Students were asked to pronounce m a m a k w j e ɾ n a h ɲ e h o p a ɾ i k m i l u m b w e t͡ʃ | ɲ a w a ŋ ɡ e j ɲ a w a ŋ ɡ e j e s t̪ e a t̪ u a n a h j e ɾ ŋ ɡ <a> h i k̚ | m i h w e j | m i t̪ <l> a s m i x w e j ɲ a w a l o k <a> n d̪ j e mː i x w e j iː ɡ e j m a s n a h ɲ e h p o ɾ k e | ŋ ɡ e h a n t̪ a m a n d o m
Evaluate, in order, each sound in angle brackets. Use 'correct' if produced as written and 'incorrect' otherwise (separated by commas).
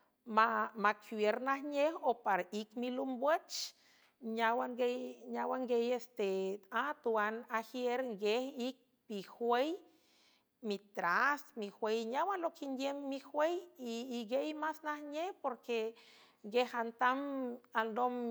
incorrect, incorrect, incorrect